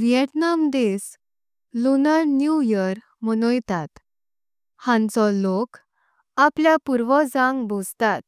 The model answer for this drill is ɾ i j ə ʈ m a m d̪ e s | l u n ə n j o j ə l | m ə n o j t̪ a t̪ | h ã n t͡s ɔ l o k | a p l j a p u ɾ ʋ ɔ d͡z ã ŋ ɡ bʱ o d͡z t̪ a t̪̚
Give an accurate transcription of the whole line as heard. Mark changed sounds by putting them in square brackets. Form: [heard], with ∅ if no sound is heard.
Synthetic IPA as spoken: ɾ i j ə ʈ [n] a m d̪ e s | l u n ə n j [u] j ə [ɾ] | m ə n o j t̪ a t̪ | h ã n t͡s ɔ l o k | a p l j a p u ɾ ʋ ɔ d͡z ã ŋ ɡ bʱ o d͡z t̪ a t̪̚